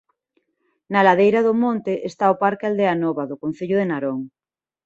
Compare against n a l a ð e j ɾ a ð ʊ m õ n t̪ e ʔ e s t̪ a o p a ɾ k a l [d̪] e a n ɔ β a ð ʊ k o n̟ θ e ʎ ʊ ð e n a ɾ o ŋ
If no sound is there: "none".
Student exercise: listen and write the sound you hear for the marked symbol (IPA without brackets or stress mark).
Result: d̪